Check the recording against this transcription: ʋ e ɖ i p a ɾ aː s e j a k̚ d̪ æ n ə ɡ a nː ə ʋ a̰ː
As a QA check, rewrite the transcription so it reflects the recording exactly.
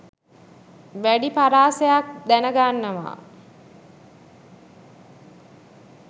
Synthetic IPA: ʋ æ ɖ i p a ɾ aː s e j a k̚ d̪ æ n ə ɡ a nː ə ʋ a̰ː